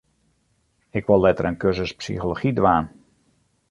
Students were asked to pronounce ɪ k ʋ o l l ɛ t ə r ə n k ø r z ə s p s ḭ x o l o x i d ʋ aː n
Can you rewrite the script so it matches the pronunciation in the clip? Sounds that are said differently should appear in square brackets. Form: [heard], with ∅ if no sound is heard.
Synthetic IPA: ɪ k ʋ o l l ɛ t ə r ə n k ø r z ə s p s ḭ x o l o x i d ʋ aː n